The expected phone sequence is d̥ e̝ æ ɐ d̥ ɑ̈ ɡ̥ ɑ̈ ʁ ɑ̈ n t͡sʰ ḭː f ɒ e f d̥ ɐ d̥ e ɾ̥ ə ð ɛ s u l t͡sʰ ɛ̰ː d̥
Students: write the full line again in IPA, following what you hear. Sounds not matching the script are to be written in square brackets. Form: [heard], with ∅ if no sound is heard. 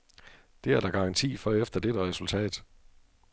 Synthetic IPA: d̥ e̝ æ ɐ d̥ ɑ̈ ɡ̥ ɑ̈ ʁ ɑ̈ n t͡sʰ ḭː f ɒ e f d̥ ɐ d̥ e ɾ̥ ə [ʁ] ɛ s u l t͡sʰ ɛ̰ː d̥

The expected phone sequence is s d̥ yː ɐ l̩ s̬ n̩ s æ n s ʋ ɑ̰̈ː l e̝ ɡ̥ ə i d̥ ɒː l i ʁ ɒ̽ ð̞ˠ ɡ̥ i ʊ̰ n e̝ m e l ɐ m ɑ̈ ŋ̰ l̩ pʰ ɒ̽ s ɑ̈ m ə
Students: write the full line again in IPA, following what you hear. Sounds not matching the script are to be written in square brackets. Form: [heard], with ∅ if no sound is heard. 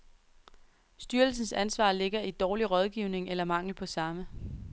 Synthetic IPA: s d̥ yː ɐ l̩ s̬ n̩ s æ n s ʋ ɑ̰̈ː l e̝ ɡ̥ [ɐ] i d̥ ɒː l i ʁ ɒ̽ ð̞ˠ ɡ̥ i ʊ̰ n e̝ [ŋ] e l ɐ m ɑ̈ ŋ̰ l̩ pʰ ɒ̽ s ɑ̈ m ə

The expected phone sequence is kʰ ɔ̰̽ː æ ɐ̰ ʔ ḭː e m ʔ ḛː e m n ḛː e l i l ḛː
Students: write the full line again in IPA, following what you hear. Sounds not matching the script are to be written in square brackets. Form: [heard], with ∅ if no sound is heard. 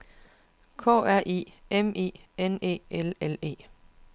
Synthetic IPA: kʰ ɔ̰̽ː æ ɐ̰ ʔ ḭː e m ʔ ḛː e [∅] n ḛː e l [e] l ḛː

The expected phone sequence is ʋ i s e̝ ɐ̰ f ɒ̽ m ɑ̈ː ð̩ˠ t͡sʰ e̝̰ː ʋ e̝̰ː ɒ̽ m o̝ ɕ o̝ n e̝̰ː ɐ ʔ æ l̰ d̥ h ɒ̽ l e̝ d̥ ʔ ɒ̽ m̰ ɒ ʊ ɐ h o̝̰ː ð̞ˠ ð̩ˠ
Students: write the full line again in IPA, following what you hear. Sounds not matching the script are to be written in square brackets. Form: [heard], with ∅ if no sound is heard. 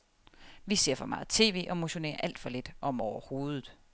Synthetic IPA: ʋ i s e̝ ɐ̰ f ɒ̽ m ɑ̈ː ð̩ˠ t͡sʰ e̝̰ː ʋ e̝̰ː ɒ̽ m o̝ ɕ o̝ n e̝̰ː ɐ ʔ æ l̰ d̥ [f] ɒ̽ l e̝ d̥ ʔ ɒ̽ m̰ ɒ ʊ ɐ h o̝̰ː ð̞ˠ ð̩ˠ

